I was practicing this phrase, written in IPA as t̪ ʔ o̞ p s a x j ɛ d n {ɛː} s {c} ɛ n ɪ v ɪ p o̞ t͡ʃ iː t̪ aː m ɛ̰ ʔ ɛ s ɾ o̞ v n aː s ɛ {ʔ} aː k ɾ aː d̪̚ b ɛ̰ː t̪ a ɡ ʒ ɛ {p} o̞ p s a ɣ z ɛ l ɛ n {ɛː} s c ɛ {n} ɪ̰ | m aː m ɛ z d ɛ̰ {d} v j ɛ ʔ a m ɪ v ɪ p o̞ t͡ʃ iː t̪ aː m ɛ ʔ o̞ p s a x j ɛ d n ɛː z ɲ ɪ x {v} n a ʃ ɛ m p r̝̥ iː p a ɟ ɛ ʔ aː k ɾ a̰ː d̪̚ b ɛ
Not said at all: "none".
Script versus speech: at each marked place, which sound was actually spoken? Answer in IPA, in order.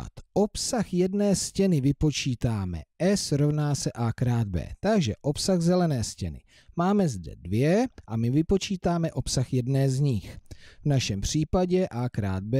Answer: ɛː, c, ʔ, ʔ, ɛː, n, d, v

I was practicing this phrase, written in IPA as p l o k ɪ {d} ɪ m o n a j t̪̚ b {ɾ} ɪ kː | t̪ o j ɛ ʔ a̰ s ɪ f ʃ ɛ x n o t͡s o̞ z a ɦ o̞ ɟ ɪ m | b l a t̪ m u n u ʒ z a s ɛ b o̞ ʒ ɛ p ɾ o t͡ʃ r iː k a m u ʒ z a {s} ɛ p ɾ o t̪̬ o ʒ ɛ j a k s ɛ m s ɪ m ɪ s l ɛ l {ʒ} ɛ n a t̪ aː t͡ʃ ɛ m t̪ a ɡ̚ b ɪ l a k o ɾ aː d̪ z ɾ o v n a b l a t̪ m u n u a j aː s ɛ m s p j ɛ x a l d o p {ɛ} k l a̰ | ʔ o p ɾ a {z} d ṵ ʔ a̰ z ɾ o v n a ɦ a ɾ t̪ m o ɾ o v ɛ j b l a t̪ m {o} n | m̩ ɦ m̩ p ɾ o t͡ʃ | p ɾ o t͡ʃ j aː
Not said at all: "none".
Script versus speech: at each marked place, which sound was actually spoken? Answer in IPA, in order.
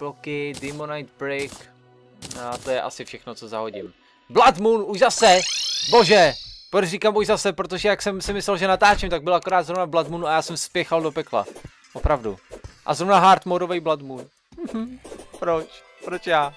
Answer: d, ɾ, s, ʒ, ɛ, v, u

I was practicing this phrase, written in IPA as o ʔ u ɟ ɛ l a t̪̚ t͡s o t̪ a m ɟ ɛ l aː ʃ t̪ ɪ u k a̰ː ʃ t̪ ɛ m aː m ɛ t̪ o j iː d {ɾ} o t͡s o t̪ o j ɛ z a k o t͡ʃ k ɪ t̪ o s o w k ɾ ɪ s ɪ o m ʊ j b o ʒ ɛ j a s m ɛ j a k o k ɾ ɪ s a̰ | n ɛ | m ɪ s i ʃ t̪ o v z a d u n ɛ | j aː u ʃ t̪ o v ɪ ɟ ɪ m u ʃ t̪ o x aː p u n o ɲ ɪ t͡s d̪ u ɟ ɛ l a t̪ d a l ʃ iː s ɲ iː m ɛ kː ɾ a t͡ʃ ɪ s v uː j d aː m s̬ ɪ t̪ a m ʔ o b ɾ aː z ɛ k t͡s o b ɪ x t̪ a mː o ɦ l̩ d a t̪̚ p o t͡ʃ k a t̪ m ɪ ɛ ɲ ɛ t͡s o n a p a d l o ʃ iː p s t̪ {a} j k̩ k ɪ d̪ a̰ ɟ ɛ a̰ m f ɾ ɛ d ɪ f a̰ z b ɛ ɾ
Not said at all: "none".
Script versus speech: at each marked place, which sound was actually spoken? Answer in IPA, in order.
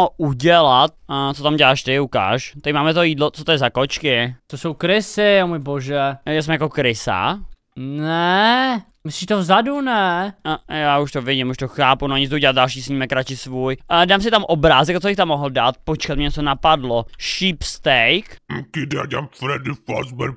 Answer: l, ɛ

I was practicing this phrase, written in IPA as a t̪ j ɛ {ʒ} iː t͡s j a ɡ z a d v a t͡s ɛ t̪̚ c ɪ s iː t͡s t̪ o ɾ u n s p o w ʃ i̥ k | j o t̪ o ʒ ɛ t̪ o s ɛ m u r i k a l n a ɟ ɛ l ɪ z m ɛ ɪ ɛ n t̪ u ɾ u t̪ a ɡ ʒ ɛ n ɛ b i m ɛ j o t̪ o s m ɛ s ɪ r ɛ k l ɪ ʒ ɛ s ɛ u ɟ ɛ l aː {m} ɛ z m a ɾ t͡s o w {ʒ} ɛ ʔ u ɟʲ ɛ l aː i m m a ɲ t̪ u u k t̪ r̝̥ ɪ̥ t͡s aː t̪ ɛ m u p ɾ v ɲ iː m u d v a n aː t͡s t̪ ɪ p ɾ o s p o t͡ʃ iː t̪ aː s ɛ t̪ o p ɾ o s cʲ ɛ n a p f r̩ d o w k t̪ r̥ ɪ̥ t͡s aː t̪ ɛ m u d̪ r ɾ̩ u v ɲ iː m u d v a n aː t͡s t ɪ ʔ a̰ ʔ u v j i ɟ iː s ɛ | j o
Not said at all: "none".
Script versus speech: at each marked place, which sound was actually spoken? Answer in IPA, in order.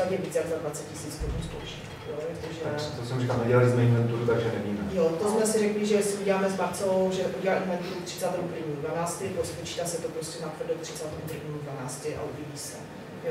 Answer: v, m, ʒ

